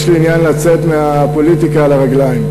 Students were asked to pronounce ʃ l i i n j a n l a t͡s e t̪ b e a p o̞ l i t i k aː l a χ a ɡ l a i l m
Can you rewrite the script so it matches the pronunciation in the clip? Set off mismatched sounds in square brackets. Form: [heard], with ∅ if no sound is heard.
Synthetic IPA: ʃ l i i n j a n l a t͡s e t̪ [m] e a p o̞ l i t i k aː l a [ʁ] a ɡ l a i [∅] m